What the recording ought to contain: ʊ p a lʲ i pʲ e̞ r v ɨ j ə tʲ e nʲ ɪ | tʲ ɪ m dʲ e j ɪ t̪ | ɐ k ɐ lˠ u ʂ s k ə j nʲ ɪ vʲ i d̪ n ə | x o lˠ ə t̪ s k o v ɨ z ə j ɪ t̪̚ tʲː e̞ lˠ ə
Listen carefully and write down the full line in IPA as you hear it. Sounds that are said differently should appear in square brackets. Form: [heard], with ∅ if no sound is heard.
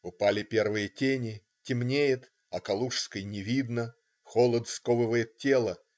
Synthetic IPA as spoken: ʊ p a lʲ [ɪ] pʲ e̞ r v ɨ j ə tʲ e nʲ ɪ | tʲ ɪ m [nʲ] e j ɪ t̪ | ɐ k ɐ lˠ u ʂ s k ə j nʲ ɪ vʲ i d̪ n ə | x o lˠ ə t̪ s k o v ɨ [v] ə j ɪ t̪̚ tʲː e̞ lˠ ə